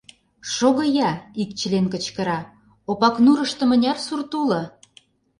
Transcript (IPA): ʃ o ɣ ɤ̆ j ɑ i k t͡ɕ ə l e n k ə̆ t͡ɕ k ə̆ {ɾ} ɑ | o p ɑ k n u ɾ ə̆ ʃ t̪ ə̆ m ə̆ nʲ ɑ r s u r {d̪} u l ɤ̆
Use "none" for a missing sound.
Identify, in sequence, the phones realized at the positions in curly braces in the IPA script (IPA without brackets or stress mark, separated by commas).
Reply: ɾ, t̪